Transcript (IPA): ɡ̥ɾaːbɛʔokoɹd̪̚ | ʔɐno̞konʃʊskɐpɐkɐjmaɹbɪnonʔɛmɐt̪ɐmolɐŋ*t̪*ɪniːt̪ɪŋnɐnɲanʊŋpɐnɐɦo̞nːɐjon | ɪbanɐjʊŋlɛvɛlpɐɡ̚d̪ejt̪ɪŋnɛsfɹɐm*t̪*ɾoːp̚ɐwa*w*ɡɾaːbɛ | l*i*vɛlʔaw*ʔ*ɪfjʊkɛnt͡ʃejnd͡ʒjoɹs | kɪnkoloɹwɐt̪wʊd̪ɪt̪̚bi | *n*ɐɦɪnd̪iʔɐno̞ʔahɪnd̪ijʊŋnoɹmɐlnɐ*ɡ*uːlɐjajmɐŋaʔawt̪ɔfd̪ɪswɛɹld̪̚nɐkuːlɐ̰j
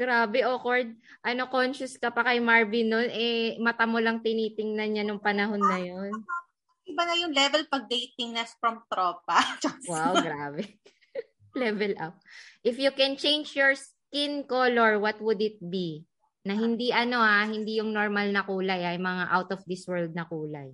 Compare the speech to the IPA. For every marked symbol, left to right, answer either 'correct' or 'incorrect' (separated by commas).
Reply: correct, correct, correct, incorrect, correct, correct, incorrect